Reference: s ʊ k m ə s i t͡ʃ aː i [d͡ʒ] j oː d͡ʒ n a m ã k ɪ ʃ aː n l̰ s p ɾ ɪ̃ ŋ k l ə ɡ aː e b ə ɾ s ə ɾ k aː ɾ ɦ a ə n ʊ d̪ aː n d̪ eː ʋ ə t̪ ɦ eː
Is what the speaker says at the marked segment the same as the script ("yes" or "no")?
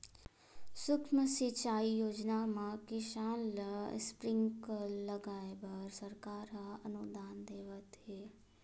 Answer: no